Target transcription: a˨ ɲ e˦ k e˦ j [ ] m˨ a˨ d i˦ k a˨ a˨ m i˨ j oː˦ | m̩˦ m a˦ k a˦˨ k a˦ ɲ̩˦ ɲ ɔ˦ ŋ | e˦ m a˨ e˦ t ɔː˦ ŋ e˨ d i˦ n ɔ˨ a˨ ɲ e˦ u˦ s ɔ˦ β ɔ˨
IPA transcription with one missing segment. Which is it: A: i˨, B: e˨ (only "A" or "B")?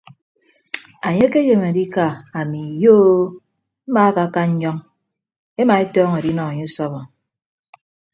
B